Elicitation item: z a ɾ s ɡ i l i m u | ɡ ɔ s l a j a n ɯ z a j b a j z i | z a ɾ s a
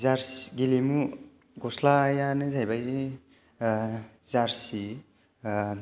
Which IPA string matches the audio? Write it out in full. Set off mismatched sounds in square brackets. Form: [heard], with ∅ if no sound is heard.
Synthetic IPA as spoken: z a ɾ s ɡ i l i m u | ɡ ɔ s l a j a n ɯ z a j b a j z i | z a ɾ s [i]